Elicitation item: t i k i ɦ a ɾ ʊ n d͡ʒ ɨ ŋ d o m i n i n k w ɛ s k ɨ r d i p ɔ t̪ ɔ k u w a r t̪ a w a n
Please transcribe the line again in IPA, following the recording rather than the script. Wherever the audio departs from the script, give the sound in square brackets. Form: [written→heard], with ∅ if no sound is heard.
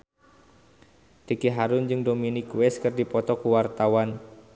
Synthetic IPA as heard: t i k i ɦ a ɾ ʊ n d͡ʒ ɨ ŋ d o m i n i [n→∅] k w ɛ s k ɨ r d i p ɔ t̪ ɔ k u w a r t̪ a w a n

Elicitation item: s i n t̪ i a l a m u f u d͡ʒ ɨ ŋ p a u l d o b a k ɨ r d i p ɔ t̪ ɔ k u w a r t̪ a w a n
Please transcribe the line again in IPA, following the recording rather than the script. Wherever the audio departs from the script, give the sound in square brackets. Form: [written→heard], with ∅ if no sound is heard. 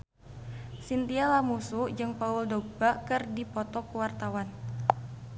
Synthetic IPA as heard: s i n t̪ i a l a m u [f→s] u d͡ʒ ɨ ŋ p a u l d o b a k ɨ r d i p ɔ t̪ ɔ k u w a r t̪ a w a n

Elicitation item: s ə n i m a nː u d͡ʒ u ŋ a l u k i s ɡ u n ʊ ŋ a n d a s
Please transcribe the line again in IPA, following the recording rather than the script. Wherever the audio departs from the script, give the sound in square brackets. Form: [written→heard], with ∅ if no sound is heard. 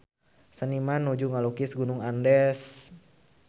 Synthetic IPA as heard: s ə n i m a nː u d͡ʒ u ŋ a l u k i s ɡ u n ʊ ŋ a n d [a→ɛ] s

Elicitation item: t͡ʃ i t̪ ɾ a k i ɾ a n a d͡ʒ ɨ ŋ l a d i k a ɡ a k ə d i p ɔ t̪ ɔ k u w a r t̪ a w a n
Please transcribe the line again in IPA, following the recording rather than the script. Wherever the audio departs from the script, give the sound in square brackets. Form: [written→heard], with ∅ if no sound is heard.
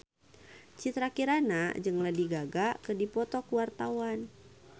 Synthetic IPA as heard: t͡ʃ i t̪ ɾ a k i ɾ a n a d͡ʒ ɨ ŋ l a d i [k→ɡ] a ɡ a k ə d i p ɔ t̪ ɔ k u w a r t̪ a w a n

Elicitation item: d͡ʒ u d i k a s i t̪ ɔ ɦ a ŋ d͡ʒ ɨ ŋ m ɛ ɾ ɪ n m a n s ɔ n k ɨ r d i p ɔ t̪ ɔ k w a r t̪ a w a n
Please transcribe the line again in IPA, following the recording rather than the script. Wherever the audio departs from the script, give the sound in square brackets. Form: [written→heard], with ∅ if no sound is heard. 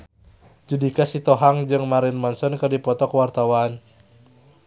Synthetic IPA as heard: d͡ʒ u d i k a s i t̪ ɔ ɦ a ŋ d͡ʒ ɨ ŋ m [ɛ→a] ɾ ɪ n m a n s ɔ n k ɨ r d i p ɔ t̪ ɔ k w a r t̪ a w a n

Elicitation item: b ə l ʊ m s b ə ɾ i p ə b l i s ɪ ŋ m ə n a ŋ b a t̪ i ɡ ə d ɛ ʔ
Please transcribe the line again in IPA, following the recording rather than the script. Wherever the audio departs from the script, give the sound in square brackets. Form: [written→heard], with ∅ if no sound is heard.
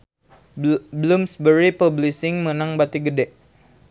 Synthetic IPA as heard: b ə l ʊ m s b ə ɾ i p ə b l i s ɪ ŋ m ə n a ŋ b a t̪ i ɡ ə d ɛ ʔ

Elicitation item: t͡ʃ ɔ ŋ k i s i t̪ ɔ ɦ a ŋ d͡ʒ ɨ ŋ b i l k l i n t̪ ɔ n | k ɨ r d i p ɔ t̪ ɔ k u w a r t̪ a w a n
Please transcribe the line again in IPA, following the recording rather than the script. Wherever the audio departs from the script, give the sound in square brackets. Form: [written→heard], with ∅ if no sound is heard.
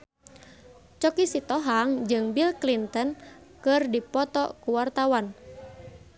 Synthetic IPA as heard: t͡ʃ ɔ [ŋ→∅] k i s i t̪ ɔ ɦ a ŋ d͡ʒ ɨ ŋ b i l k l i n t̪ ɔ n | k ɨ r d i p ɔ t̪ ɔ k u w a r t̪ a w a n

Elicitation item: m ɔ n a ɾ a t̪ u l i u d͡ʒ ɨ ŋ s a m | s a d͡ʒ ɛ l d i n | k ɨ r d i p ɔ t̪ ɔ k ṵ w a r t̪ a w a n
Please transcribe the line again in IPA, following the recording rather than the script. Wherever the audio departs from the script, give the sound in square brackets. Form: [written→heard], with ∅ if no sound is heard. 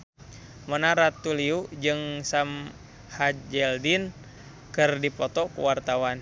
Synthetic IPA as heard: m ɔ n a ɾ a t̪ u l i u d͡ʒ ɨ ŋ s a m | [s→h] a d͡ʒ ɛ l d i n | k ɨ r d i p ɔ t̪ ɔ k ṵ w a r t̪ a w a n

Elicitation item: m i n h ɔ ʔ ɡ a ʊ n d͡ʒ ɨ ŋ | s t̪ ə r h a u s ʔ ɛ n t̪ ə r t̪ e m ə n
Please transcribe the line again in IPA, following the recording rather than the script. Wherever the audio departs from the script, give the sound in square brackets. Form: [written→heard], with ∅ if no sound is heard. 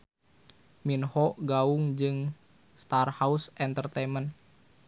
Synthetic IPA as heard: m i n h ɔ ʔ ɡ a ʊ [n→ŋ] d͡ʒ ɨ ŋ | s t̪ [ə→a] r h a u s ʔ ɛ n t̪ ə r t̪ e m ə n

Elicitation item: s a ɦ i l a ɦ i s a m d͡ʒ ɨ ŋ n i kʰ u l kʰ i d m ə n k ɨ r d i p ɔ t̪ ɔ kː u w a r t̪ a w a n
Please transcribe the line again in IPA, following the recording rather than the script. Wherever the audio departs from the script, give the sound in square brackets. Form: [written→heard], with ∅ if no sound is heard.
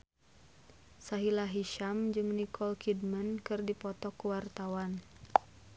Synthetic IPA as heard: s a ɦ i l a ɦ i [s→ʃ] a m d͡ʒ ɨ ŋ n i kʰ [u→ɔ] l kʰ i d m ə n k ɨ r d i p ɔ t̪ ɔ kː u w a r t̪ a w a n

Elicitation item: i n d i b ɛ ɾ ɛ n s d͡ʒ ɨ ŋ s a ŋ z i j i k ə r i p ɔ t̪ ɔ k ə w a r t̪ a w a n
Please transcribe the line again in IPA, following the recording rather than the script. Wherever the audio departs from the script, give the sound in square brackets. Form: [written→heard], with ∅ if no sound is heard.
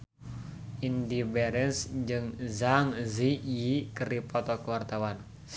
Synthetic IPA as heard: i n d i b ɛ ɾ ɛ n s d͡ʒ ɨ ŋ [s→z] a ŋ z i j i k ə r i p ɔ t̪ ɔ k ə w a r t̪ a w a n

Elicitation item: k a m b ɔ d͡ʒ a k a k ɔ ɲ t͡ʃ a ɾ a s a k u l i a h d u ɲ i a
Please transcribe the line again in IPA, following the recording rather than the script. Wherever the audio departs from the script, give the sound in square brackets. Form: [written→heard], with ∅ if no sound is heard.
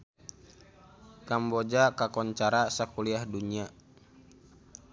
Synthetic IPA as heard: k a m b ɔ d͡ʒ a k a k ɔ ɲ t͡ʃ a ɾ a s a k u l i a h d u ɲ i a

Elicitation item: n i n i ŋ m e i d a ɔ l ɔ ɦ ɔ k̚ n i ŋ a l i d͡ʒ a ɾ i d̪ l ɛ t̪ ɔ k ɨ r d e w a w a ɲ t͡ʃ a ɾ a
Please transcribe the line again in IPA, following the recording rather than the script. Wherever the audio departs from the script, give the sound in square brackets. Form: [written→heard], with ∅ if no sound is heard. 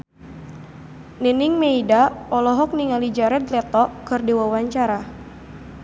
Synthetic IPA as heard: n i n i ŋ m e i d a ɔ l ɔ ɦ ɔ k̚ n i ŋ a l i d͡ʒ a ɾ [i→ɛ] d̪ l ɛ t̪ ɔ k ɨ r d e w a w a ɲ t͡ʃ a ɾ a

